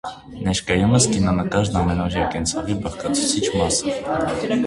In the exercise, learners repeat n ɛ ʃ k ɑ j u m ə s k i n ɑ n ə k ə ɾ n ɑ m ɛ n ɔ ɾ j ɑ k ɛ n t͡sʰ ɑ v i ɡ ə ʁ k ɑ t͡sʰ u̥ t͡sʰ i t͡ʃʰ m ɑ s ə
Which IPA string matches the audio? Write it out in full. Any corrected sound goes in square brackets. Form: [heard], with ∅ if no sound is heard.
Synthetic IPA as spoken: n ɛ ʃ k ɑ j u m ə s k i n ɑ n ə k [ɑ] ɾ n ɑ m ɛ n ɔ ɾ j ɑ k ɛ n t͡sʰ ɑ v i [b] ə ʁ k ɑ t͡sʰ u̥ t͡sʰ i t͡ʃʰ m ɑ s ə